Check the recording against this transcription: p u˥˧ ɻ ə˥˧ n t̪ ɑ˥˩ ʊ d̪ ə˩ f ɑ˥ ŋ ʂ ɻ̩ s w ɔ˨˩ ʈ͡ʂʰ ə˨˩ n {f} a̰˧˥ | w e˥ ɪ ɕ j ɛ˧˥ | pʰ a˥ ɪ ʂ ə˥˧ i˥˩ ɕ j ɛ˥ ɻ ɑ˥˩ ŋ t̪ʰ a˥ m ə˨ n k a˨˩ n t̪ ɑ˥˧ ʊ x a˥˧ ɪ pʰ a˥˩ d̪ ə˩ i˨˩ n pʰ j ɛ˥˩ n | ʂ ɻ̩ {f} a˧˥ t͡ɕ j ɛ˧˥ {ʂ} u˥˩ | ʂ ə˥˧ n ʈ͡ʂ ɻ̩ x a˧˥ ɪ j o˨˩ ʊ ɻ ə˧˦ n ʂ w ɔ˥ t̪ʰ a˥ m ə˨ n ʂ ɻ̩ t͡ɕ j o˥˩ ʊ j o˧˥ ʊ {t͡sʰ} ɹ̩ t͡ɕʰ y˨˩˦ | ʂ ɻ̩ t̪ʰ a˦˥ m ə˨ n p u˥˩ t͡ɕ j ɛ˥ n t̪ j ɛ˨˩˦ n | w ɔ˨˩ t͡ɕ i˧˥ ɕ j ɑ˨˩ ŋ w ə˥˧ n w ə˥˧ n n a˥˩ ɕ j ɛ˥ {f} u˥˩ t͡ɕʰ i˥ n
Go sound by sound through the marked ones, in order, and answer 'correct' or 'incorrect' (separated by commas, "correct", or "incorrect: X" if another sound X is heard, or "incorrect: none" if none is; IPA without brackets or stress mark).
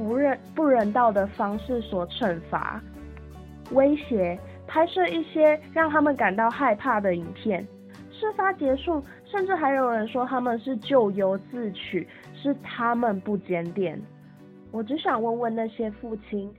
correct, correct, correct, incorrect: t͡s, correct